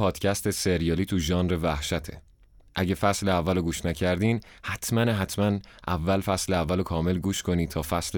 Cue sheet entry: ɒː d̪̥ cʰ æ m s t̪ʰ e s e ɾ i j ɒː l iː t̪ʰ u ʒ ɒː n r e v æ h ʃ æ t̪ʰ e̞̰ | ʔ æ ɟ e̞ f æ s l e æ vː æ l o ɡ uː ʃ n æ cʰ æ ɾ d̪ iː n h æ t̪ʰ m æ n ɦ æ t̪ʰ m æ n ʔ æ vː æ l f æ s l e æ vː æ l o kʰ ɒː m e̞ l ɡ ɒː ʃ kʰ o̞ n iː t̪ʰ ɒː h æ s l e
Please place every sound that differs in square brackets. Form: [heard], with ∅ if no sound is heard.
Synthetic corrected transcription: ɒː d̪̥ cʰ æ [∅] s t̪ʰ e s e ɾ i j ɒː l iː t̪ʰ u ʒ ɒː n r e v æ h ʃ æ t̪ʰ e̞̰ | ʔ æ ɟ e̞ f æ s l e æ vː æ l o ɡ uː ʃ n æ cʰ æ ɾ d̪ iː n h æ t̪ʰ m æ n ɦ æ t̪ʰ m æ n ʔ æ vː æ l f æ s l e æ vː æ l o kʰ ɒː m e̞ l ɡ [uː] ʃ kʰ o̞ n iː t̪ʰ ɒː [f] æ s l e